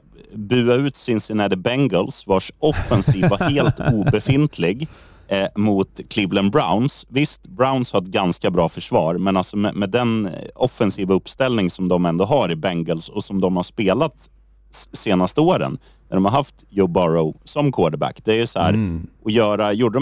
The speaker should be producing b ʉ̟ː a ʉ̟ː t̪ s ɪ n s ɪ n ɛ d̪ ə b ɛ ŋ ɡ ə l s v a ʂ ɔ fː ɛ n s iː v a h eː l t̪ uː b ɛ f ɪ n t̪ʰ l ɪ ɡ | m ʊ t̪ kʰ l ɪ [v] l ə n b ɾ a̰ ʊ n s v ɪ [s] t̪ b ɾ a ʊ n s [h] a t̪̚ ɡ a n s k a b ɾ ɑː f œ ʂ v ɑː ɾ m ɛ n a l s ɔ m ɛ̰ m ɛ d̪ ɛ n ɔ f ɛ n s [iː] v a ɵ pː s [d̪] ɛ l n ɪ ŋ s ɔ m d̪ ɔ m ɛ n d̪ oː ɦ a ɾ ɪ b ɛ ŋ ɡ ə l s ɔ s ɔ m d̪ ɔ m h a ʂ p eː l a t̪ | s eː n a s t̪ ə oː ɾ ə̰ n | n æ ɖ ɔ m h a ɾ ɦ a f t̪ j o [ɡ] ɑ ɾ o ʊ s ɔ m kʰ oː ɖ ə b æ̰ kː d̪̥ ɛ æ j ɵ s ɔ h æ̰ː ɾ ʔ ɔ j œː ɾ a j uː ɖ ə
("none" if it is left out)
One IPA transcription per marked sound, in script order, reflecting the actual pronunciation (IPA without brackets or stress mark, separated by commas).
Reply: v, s, h, iː, t̪, b